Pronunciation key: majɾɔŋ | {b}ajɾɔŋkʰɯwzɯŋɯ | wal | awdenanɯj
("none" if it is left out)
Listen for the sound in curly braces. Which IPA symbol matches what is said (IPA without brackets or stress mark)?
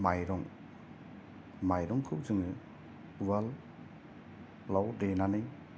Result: m